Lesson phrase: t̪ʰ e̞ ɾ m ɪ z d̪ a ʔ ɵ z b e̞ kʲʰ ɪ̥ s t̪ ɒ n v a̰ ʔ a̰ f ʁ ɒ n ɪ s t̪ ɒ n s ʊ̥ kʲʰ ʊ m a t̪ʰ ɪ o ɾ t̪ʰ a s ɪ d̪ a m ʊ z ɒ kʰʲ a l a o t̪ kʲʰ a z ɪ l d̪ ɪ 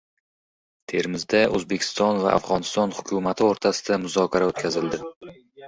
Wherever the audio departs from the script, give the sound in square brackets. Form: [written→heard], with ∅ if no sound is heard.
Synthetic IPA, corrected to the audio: t̪ʰ e̞ ɾ m ɪ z d̪ a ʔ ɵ z b e̞ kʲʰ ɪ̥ s t̪ ɒ n v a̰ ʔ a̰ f ʁ ɒ n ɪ s t̪ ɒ n [s→h] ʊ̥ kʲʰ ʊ m a t̪ʰ ɪ o ɾ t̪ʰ a s ɪ d̪ a m ʊ z ɒ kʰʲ a [l→ɾ] a o t̪ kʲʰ a z ɪ l d̪ ɪ